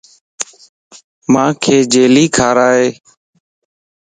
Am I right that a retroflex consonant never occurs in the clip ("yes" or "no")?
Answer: yes